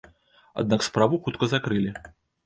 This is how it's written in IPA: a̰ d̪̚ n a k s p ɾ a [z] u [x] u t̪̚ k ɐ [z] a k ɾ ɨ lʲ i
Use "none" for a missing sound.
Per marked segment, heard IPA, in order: v, x, z

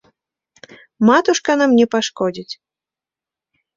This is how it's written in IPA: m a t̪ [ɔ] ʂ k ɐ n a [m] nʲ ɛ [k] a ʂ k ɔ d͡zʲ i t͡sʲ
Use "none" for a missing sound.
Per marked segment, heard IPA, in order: u, m, p

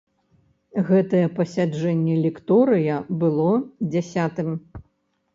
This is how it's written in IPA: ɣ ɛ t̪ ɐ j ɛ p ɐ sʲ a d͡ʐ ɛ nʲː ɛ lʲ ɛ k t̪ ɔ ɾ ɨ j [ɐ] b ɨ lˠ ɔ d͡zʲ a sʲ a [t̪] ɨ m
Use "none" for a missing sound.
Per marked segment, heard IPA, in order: ɐ, t̪

